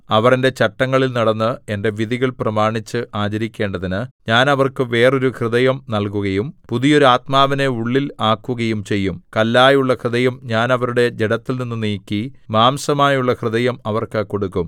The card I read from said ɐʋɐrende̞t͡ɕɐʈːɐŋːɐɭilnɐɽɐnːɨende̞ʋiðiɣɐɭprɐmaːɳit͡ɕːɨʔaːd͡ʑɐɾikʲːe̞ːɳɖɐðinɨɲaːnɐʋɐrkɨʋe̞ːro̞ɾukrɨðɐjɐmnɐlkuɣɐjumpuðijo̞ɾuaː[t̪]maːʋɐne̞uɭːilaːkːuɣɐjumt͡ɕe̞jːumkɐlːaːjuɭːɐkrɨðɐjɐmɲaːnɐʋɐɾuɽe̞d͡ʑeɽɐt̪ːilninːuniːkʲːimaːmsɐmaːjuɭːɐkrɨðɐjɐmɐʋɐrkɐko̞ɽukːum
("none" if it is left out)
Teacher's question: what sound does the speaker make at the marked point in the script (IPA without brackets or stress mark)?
t̪